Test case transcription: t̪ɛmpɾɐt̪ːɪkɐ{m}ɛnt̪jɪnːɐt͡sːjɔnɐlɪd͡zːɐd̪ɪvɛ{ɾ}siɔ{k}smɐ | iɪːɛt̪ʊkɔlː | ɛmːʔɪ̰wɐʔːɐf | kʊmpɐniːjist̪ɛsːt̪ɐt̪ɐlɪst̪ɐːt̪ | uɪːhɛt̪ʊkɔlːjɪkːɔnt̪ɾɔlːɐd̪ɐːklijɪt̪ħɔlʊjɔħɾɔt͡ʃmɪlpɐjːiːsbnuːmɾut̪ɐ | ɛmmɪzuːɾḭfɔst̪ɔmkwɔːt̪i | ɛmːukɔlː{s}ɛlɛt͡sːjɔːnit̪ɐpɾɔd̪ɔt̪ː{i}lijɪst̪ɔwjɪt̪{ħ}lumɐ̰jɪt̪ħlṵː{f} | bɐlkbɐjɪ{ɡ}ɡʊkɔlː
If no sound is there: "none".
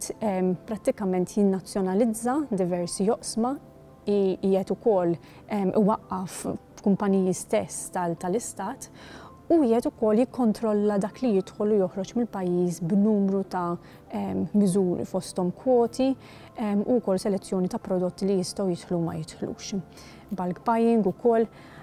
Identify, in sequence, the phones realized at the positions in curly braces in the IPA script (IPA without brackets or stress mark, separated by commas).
m, ɾ, ʔ, s, i, ħ, ʃ, ŋ